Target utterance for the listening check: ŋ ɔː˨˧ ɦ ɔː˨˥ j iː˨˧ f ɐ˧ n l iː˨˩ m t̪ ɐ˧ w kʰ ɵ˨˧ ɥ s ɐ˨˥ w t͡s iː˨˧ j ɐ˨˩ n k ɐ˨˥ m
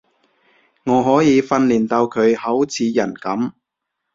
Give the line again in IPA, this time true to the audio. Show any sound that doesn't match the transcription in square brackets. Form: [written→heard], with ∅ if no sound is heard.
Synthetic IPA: ŋ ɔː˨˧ ɦ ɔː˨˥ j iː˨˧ f ɐ˧ n l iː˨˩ [m→n] t̪ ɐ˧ w kʰ ɵ˨˧ ɥ [s→h] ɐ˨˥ w [t͡s→t͡sʰ] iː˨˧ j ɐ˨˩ n k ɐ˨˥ m